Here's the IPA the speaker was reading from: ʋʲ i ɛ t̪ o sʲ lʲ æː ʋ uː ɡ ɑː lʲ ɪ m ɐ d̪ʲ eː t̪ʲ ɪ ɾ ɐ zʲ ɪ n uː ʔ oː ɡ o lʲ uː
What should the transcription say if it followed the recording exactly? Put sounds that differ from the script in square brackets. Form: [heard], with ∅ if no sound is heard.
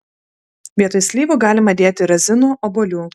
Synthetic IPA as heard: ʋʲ i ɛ t̪ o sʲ lʲ [iː] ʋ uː ɡ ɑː lʲ ɪ m ɐ d̪ʲ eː t̪ʲ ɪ ɾ ɐ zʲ ɪ n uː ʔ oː [b] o lʲ uː

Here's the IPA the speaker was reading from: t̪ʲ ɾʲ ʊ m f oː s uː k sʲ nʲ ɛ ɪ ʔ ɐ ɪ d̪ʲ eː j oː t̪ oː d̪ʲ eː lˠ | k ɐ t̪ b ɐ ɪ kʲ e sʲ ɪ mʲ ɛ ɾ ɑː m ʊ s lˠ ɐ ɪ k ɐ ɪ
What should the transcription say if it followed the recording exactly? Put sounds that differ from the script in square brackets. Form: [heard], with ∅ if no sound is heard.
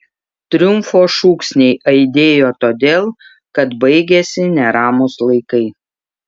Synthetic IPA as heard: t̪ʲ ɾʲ ʊ m f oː [ʃ] uː k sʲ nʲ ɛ ɪ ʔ ɐ ɪ d̪ʲ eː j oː t̪ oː d̪ʲ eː lˠ | k ɐ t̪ b ɐ ɪ [ɡʲ] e sʲ ɪ [nʲ] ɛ ɾ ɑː m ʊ s lˠ ɐ ɪ k ɐ ɪ

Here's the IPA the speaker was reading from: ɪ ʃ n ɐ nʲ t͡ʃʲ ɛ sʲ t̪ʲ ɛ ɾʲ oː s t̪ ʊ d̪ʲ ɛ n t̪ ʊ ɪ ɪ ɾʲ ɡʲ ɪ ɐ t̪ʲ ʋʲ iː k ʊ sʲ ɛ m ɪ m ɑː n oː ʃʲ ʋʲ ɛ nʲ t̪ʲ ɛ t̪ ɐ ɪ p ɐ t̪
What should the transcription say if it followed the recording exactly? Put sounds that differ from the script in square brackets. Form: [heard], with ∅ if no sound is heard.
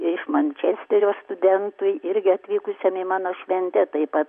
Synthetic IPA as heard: ɪ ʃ [m] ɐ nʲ t͡ʃʲ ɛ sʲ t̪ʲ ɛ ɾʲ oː s t̪ ʊ d̪ʲ ɛ n t̪ ʊ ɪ ɪ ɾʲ ɡʲ ɪ ɐ t̪ʲ ʋʲ iː k ʊ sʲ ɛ m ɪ m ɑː n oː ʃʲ ʋʲ ɛ nʲ t̪ʲ ɛ t̪ ɐ ɪ p ɐ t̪

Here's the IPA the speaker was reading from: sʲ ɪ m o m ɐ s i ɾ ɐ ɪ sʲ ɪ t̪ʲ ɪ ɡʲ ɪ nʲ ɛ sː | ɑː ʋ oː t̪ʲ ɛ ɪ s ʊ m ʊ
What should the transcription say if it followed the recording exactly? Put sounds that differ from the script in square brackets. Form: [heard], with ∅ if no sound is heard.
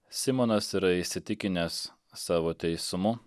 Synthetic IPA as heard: sʲ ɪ m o [n] ɐ s i ɾ ɐ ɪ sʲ ɪ t̪ʲ ɪ [kʲ] ɪ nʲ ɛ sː | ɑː ʋ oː t̪ʲ ɛ ɪ s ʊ m ʊ

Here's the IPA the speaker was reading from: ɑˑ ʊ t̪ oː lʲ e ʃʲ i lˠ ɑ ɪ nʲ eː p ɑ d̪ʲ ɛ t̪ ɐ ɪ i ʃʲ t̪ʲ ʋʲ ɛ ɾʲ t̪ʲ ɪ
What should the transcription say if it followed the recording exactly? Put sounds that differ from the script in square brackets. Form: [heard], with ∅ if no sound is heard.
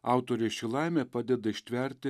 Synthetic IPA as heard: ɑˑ ʊ t̪ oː [ɾʲ] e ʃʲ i lˠ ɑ ɪ [mʲ] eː p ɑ d̪ʲ ɛ [d̪] ɐ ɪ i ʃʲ t̪ʲ ʋʲ ɛ ɾʲ t̪ʲ ɪ

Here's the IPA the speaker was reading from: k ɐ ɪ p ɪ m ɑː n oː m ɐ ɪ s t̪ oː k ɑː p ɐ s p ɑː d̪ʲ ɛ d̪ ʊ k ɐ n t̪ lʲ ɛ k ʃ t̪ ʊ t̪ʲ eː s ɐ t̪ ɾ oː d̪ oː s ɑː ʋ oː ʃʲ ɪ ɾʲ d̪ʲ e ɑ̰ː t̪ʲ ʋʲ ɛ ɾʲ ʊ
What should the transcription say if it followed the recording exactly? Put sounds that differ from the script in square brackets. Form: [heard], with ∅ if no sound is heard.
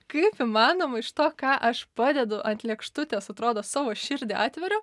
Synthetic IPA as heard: k ɐ ɪ p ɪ m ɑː n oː m ɐ ɪ [ʃ] t̪ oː k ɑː [ʔ] ɐ [ʃ] p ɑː d̪ʲ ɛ d̪ ʊ [ʔ] ɐ n t̪ lʲ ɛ k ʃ t̪ ʊ t̪ʲ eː s ɐ t̪ ɾ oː d̪ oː s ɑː ʋ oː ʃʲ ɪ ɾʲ d̪ʲ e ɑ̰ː t̪ʲ ʋʲ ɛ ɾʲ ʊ

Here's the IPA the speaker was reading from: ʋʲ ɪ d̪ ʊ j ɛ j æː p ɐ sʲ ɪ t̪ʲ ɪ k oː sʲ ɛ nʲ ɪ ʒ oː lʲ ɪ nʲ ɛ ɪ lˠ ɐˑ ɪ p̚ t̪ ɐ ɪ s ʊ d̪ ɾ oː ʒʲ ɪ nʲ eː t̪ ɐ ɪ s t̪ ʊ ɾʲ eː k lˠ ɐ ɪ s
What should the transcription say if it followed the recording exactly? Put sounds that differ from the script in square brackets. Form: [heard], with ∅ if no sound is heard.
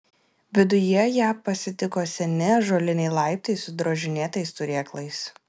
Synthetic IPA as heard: ʋʲ ɪ d̪ ʊ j ɛ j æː p ɐ sʲ ɪ t̪ʲ ɪ k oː sʲ ɛ nʲ ɪ ʒ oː lʲ ɪ nʲ ɛ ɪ lˠ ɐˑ ɪ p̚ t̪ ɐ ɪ s ʊ d̪ ɾ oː ʒʲ ɪ nʲ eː t̪ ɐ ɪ s t̪ ʊ ɾʲ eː k lˠ ɐ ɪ s

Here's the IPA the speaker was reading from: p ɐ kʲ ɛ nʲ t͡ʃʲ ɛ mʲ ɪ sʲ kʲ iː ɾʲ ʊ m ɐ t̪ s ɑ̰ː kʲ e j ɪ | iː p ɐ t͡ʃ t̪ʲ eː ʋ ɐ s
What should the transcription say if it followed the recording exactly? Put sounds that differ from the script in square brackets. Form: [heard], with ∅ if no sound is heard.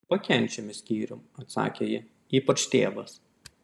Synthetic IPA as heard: p ɐ kʲ ɛ nʲ t͡ʃʲ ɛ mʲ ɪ sʲ kʲ iː ɾʲ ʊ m ɐ t̪ s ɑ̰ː kʲ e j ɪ | iː p ɐ t͡ʃ t̪ʲ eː ʋ ɐ s

